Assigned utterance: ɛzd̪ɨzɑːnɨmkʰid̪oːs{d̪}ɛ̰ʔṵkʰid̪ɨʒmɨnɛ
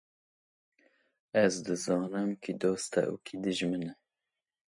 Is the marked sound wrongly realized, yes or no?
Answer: yes